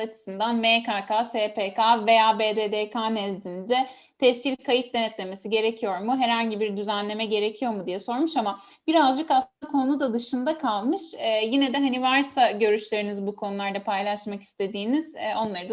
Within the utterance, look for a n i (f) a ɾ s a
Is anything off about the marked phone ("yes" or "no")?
yes